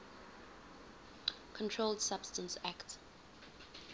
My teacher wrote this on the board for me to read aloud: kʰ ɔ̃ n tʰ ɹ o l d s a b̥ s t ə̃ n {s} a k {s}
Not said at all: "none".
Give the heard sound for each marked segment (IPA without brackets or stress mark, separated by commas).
s, t